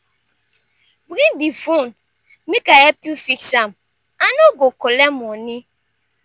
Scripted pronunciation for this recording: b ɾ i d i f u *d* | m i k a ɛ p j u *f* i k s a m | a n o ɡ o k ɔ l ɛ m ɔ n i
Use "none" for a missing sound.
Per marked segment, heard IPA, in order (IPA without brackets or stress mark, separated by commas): n, f